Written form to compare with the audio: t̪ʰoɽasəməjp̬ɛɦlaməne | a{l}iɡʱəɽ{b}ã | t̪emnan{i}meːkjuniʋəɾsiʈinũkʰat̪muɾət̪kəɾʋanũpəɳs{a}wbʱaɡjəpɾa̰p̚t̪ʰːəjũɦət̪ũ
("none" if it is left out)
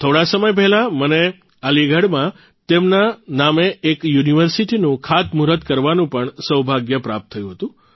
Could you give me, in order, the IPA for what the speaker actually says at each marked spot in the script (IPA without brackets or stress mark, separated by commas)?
l, m, a, ə